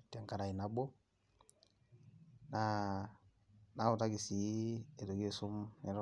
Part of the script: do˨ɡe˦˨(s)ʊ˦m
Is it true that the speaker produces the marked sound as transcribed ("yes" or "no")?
yes